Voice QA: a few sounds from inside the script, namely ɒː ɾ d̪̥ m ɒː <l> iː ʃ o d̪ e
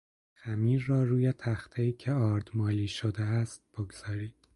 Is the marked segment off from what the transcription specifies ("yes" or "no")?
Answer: no